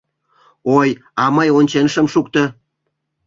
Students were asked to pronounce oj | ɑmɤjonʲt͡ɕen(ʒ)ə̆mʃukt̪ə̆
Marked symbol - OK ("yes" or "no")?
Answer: no